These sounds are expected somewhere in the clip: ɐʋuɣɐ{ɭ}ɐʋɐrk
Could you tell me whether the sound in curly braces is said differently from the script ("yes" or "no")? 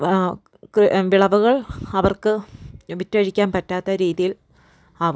no